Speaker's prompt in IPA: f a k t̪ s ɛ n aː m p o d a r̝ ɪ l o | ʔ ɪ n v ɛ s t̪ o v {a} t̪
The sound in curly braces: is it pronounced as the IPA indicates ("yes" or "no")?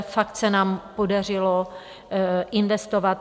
yes